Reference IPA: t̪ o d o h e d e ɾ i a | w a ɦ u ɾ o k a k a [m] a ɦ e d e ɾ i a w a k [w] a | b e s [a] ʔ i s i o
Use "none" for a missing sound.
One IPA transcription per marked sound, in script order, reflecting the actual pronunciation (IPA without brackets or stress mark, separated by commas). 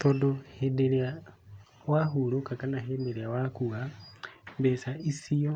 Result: n, u, a